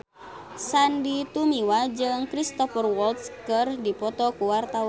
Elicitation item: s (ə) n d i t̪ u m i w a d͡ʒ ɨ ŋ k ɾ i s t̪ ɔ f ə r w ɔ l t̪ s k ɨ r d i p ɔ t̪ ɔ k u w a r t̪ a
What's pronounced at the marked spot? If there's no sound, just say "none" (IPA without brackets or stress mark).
a